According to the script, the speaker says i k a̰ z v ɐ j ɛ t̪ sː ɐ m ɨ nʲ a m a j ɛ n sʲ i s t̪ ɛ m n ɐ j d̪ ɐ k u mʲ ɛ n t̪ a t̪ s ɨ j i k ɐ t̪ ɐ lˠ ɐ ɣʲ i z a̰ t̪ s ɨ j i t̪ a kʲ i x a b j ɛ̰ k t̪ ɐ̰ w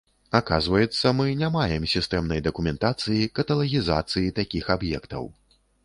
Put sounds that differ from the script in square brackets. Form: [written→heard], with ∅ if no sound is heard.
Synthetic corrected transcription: [i→a] k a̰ z v ɐ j ɛ t̪ sː ɐ m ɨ nʲ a m a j ɛ [n→m] sʲ i s t̪ ɛ m n ɐ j d̪ ɐ k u mʲ ɛ n t̪ a t̪ s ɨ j i k ɐ t̪ ɐ lˠ ɐ ɣʲ i z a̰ t̪ s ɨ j i t̪ a kʲ i x a b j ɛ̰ k t̪ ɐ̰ w